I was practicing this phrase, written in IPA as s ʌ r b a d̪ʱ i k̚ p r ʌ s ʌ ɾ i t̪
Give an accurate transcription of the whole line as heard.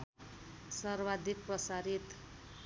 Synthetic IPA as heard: s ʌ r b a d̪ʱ i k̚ p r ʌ s a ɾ i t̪